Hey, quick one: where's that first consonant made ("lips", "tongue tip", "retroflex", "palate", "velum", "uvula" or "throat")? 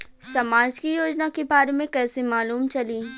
tongue tip